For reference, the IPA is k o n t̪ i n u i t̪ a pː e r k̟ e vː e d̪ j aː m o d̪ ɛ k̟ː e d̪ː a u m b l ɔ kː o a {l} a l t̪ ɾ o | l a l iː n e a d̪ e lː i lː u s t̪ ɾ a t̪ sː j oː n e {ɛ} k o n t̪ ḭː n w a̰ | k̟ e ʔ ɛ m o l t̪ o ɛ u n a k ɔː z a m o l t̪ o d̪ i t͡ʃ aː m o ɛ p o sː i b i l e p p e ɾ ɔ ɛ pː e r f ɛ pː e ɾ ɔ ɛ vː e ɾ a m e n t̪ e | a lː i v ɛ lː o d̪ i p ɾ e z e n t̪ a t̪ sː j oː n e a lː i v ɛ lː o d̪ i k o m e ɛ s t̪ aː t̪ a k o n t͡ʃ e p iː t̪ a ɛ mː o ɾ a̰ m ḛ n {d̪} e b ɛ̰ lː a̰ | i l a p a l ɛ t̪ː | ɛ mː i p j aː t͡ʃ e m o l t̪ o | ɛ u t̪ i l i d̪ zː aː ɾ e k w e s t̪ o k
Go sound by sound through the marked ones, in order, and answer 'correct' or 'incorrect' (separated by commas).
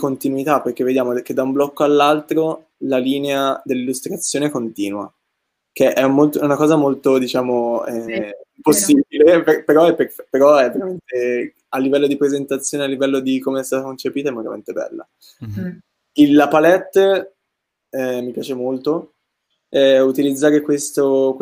incorrect, correct, incorrect